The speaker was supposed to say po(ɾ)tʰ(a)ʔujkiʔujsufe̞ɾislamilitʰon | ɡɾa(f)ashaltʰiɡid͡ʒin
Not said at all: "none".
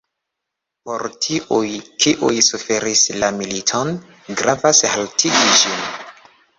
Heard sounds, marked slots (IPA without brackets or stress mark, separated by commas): ɾ, i, v